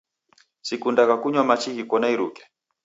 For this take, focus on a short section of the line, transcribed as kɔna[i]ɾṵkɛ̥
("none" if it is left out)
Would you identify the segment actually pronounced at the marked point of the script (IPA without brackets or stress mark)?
i